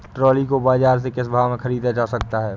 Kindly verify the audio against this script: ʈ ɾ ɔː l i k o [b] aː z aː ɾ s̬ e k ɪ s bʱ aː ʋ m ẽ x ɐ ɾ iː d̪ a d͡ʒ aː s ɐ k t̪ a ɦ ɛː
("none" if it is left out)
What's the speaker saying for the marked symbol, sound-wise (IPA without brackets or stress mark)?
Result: b